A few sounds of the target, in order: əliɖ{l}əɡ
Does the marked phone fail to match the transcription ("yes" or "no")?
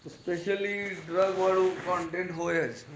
yes